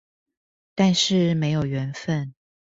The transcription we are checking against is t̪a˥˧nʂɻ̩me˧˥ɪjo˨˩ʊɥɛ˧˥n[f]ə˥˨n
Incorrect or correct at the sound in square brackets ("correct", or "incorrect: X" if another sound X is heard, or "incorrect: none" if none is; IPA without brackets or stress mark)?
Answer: correct